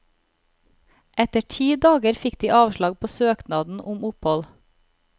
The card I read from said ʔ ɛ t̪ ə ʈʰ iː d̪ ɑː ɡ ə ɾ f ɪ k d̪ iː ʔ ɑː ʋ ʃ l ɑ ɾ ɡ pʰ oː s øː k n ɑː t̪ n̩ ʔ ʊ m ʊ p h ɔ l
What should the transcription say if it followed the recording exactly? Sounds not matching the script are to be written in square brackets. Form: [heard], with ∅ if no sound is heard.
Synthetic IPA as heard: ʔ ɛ t̪ ə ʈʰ iː d̪ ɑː ɡ ə ɾ f ɪ k d̪ iː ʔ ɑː ʋ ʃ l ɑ [∅] ɡ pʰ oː s øː k n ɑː [d̪] n̩ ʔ ʊ m ʊ p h ɔ l